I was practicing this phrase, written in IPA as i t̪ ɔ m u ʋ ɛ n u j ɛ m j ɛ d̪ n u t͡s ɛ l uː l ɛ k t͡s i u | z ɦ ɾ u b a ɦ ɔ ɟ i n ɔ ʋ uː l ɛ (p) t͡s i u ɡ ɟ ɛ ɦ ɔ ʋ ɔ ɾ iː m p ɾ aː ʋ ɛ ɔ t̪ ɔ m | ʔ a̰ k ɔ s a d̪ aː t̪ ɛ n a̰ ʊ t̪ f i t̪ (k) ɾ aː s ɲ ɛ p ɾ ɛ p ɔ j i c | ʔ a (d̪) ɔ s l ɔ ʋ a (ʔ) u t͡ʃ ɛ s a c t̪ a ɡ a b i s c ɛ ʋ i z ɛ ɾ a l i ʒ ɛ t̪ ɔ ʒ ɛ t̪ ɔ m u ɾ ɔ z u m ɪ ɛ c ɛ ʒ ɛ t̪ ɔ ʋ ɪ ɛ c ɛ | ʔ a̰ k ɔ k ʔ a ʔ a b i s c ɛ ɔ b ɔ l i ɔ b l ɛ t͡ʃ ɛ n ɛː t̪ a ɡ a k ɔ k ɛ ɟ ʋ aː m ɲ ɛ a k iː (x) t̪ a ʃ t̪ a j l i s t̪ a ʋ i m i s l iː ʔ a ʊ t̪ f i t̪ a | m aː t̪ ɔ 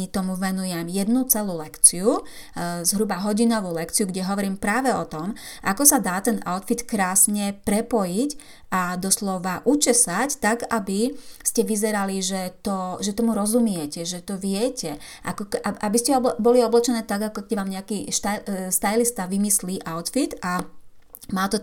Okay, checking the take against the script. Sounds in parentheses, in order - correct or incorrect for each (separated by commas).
incorrect, correct, correct, correct, incorrect